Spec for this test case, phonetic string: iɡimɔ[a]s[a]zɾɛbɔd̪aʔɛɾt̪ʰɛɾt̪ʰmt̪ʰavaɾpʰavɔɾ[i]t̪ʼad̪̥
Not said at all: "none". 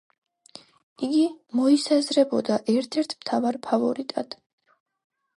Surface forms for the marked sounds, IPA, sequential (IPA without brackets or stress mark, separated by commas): i, a, i